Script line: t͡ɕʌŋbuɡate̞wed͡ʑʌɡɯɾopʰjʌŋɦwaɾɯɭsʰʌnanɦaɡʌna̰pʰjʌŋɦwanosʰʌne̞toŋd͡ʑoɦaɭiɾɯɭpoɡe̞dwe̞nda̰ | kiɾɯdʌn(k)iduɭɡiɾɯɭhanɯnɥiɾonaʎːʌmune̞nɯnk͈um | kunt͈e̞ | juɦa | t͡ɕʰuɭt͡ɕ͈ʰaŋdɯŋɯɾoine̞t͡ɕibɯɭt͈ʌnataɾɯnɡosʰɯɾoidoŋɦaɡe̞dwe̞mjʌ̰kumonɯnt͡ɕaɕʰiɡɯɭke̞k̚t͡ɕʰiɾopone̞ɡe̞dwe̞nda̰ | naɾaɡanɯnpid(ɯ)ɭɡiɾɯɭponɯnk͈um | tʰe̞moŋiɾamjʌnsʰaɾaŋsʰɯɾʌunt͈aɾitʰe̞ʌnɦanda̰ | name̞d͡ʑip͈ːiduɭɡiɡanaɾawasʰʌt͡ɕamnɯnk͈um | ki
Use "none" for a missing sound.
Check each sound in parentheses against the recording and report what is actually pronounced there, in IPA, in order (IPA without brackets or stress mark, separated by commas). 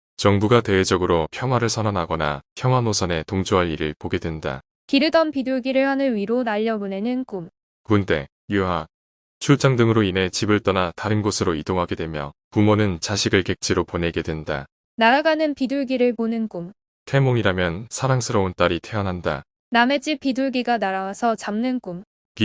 p, u